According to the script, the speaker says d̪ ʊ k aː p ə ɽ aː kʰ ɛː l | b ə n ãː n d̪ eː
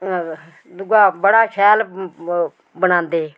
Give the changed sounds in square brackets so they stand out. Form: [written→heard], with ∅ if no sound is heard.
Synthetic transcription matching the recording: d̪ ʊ [k→ɡ] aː [p→b] ə ɽ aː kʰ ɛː l | b ə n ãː n d̪ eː